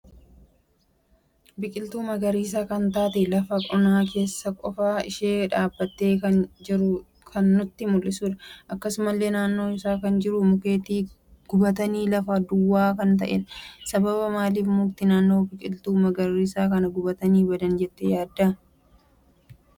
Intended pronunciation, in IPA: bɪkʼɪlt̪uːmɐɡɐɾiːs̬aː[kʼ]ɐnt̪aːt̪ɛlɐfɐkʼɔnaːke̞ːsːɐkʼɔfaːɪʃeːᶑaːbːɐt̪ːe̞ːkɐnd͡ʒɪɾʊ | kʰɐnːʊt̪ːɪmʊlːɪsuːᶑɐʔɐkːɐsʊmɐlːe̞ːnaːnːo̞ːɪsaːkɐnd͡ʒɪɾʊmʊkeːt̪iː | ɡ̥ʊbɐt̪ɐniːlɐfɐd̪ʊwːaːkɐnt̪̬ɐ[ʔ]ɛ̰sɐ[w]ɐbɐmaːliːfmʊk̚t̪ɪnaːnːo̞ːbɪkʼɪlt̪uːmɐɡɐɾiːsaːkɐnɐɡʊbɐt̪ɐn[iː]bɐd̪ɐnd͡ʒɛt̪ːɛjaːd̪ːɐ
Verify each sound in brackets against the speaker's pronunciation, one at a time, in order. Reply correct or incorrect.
incorrect, correct, incorrect, correct

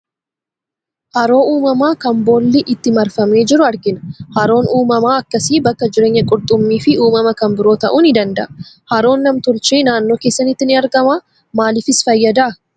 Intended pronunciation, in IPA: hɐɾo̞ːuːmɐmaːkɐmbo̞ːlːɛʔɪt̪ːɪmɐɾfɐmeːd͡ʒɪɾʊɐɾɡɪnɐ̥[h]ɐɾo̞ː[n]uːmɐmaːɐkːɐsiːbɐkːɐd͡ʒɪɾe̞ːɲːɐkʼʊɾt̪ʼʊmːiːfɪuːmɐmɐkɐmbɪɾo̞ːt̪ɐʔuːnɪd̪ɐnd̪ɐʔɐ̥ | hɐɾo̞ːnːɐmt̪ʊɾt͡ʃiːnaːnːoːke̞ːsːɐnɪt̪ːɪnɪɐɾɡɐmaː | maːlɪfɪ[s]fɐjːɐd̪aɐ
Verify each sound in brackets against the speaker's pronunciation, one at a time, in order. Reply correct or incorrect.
correct, correct, correct

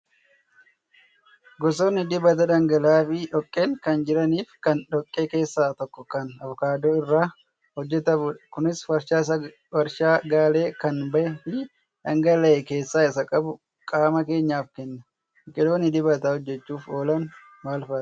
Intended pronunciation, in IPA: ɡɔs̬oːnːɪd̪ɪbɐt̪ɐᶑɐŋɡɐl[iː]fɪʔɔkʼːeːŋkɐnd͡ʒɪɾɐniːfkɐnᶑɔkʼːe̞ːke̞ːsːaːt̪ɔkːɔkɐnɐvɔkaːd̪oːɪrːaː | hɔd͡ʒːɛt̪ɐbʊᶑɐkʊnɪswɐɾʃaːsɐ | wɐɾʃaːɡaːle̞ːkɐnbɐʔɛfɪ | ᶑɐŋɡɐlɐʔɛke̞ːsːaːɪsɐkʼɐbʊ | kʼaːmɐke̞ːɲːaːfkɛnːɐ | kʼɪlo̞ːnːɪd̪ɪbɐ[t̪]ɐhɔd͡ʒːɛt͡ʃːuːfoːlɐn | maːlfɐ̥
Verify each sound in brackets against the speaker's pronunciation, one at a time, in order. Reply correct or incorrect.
incorrect, correct

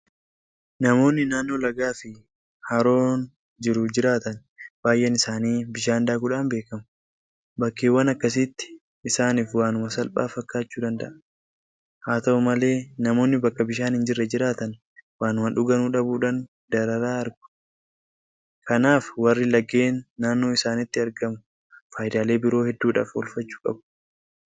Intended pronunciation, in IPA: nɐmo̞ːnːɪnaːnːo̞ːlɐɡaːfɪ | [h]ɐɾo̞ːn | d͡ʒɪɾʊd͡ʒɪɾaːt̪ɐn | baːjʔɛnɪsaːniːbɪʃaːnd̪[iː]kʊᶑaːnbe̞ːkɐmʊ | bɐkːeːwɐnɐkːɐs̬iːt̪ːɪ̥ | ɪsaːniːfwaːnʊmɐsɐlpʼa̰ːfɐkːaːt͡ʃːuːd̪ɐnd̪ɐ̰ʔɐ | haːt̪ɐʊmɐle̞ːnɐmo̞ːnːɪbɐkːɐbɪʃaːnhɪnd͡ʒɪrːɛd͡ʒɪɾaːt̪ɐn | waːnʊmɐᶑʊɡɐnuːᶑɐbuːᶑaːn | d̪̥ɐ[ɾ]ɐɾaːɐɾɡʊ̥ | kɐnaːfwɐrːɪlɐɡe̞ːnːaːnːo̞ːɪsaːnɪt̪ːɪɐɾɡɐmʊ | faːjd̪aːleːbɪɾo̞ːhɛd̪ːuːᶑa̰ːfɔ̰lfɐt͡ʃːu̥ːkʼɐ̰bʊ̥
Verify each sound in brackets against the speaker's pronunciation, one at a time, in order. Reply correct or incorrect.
correct, incorrect, correct

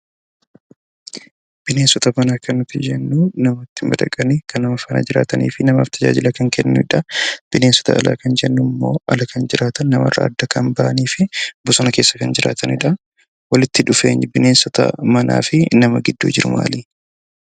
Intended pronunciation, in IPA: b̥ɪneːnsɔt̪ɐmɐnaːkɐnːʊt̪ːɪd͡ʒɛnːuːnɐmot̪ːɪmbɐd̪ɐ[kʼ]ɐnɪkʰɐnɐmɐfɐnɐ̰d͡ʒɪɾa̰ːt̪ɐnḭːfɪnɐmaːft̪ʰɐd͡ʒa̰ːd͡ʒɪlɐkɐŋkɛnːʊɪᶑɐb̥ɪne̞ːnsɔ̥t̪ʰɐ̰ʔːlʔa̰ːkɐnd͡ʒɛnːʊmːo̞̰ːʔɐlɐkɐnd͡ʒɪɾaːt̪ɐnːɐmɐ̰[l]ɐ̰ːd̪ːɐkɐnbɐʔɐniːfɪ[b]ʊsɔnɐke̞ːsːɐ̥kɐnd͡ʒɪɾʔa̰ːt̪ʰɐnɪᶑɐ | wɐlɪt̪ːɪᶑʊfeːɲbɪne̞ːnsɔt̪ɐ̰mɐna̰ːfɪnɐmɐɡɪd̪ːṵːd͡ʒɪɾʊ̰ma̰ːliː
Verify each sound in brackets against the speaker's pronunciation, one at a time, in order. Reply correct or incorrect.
correct, incorrect, correct

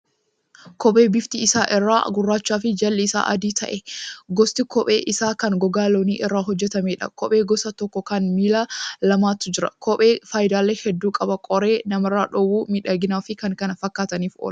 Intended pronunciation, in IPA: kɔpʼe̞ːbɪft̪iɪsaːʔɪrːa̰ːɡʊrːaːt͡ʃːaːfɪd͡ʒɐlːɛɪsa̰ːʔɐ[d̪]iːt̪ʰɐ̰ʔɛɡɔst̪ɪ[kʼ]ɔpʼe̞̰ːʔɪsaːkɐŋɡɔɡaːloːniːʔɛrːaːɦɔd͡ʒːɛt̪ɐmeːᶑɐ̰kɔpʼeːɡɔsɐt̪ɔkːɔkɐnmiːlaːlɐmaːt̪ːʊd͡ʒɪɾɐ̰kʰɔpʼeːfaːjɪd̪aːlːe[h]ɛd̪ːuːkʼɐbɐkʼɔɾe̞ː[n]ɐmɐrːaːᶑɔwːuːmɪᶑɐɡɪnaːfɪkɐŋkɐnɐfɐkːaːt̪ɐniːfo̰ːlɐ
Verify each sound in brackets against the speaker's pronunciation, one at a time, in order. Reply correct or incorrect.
correct, incorrect, correct, correct

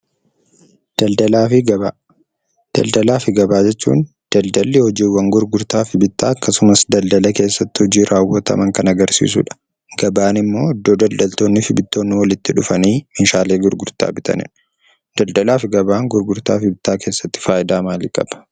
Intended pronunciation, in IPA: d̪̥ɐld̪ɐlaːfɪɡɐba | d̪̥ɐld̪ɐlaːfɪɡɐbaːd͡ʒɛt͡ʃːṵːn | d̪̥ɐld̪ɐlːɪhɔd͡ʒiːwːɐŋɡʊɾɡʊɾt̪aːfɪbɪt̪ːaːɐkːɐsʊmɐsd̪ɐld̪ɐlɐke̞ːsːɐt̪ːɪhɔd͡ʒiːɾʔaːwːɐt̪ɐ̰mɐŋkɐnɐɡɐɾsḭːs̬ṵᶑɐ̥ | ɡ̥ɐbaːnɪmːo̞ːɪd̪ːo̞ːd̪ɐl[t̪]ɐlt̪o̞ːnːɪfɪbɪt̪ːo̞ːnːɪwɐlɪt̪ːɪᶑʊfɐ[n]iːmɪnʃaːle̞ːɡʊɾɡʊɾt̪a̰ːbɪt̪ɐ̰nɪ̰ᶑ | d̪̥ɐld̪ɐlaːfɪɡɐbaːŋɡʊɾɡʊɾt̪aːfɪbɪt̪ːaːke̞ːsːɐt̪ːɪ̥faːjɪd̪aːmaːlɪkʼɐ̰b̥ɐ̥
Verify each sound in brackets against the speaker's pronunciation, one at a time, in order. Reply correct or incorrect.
incorrect, correct

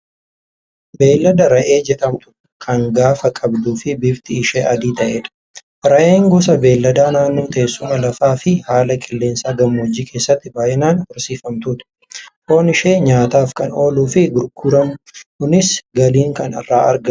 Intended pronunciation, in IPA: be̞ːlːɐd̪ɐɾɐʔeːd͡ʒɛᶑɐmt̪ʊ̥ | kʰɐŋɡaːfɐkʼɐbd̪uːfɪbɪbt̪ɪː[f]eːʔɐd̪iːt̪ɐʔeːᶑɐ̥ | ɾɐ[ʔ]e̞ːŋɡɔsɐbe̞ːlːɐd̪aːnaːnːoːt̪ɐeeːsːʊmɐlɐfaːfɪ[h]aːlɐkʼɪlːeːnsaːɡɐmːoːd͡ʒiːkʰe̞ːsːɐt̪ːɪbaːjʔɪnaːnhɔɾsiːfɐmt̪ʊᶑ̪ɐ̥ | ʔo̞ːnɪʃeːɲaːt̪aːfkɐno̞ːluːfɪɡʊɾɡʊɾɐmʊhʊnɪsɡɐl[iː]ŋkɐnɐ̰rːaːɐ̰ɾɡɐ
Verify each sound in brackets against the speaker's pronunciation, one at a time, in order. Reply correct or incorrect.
incorrect, correct, correct, correct

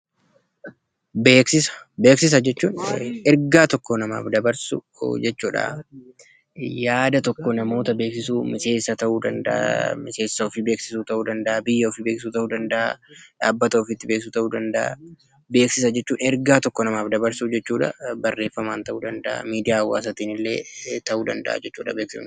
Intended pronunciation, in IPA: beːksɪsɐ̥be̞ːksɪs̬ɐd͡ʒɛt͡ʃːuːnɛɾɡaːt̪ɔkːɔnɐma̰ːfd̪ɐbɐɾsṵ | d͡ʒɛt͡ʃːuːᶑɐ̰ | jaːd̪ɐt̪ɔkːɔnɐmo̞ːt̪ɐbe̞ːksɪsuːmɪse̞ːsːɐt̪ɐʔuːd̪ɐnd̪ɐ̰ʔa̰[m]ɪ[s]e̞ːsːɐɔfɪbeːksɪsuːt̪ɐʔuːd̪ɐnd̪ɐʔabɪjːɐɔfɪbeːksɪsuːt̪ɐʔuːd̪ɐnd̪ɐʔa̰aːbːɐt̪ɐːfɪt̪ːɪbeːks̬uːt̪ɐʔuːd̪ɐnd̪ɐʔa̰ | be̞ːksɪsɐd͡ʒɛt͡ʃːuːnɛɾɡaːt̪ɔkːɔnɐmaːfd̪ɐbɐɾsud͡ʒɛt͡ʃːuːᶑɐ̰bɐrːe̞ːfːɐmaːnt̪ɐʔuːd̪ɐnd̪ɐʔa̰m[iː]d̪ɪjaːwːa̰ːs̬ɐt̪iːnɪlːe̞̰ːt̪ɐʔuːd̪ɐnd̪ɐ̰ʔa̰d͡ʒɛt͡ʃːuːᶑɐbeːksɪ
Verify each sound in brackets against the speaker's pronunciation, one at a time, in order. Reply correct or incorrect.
correct, correct, correct

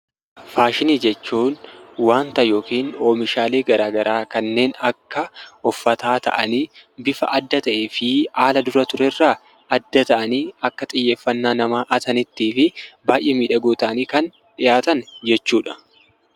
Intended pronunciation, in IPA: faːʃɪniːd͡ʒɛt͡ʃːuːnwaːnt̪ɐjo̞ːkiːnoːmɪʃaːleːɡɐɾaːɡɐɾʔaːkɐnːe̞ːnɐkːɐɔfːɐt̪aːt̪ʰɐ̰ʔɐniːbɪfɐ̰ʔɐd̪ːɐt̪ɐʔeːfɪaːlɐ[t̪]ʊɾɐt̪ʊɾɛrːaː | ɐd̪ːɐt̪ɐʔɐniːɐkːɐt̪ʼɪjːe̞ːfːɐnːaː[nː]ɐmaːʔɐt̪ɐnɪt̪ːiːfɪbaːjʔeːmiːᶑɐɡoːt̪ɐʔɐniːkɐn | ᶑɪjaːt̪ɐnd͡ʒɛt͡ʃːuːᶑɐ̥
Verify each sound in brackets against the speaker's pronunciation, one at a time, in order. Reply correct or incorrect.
incorrect, incorrect

